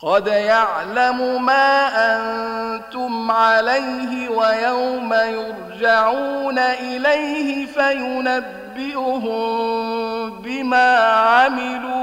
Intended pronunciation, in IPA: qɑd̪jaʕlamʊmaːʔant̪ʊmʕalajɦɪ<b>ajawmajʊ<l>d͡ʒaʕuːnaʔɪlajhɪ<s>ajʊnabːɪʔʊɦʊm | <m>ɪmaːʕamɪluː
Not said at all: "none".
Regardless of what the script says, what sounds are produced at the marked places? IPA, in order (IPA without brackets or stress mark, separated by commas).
w, ɾ, f, b